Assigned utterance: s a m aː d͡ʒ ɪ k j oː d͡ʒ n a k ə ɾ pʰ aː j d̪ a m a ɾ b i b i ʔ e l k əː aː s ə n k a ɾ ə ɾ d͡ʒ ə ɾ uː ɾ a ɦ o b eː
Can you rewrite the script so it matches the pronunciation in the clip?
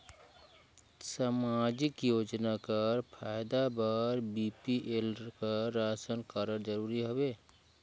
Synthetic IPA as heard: s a m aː d͡ʒ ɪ k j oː d͡ʒ n a k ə ɾ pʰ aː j d̪ a b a ɾ b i p i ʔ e l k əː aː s ə n k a ɾ ə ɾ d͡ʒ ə ɾ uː ɾ i ɦ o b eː